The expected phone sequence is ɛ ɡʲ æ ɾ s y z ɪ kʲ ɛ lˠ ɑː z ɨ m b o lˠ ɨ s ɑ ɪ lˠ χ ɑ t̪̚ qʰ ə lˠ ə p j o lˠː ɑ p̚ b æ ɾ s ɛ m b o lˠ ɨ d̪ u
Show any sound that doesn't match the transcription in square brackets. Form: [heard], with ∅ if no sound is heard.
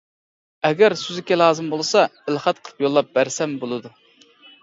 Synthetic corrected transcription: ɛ ɡʲ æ ɾ s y z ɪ kʲ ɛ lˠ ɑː z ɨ m b o lˠ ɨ s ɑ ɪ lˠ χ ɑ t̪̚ qʰ ə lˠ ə p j o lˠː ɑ p̚ b æ ɾ s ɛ m b o lˠ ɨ d̪ u